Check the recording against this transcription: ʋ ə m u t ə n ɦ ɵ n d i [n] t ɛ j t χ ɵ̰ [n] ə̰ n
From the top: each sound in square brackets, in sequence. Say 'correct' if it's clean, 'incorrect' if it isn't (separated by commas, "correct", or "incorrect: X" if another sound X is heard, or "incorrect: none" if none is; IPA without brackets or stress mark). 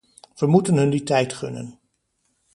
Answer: incorrect: none, correct